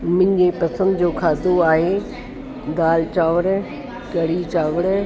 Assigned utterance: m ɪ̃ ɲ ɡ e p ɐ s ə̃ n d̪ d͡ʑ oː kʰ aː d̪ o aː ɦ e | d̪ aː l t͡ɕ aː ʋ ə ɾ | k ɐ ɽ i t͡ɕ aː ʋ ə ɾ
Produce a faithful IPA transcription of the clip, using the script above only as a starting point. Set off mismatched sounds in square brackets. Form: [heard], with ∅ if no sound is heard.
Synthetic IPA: m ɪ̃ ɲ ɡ e p ɐ s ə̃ n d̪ d͡ʑ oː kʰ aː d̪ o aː ɦ e | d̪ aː l t͡ɕ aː ʋ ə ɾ | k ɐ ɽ i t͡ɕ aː ʋ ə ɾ

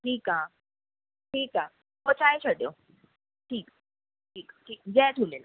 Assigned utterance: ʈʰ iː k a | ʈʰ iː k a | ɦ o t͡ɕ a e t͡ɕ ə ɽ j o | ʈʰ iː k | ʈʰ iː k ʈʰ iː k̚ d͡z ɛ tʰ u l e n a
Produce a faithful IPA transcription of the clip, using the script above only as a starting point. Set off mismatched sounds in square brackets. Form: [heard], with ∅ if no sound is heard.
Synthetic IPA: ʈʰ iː k a | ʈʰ iː k a | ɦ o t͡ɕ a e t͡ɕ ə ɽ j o | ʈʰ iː k | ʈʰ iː k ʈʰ iː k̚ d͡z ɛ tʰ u l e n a

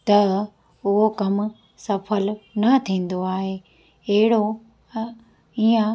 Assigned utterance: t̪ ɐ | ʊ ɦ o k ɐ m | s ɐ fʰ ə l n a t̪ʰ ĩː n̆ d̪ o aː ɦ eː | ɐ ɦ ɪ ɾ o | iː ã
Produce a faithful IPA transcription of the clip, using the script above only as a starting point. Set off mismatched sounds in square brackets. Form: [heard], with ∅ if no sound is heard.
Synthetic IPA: t̪ ɐ | ʊ ɦ o k ɐ m | s ɐ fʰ ə l n [ɐ] t̪ʰ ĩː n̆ d̪ o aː ɦ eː | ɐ ɦ ɪ [ɽ] o | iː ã

